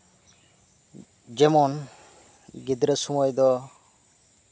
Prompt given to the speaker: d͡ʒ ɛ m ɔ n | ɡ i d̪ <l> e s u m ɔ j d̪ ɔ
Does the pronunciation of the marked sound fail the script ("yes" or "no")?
yes